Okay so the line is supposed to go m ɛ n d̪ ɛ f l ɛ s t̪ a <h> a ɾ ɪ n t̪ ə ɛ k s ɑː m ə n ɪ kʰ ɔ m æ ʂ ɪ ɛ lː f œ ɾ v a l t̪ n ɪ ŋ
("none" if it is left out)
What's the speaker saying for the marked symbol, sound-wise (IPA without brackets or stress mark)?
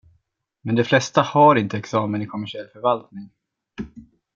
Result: h